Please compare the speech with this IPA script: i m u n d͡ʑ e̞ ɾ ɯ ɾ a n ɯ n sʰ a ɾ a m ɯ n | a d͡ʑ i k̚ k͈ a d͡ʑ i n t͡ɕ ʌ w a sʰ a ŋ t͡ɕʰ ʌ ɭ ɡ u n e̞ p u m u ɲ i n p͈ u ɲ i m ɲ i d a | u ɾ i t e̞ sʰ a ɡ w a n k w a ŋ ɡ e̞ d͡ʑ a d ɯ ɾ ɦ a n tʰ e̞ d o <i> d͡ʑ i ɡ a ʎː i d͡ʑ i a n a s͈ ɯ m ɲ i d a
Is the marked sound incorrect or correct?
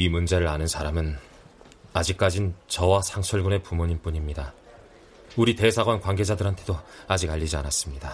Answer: incorrect